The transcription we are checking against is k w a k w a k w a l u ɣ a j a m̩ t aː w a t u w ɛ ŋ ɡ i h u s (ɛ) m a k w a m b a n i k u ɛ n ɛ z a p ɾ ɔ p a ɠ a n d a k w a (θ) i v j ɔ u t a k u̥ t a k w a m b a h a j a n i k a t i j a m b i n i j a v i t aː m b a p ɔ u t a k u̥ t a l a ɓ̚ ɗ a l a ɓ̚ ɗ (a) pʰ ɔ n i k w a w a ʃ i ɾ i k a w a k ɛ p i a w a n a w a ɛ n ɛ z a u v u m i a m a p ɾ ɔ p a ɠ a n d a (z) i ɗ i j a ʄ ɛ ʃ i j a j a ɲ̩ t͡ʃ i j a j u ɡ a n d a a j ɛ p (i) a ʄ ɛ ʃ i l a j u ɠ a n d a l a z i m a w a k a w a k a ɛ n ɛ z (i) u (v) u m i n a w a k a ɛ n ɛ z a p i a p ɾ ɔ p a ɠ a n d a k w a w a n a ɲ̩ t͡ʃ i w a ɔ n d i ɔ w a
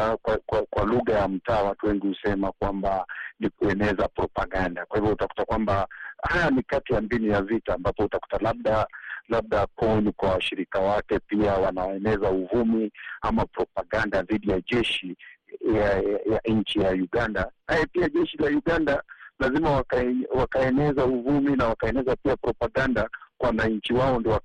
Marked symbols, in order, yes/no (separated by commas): yes, no, yes, no, yes, no, yes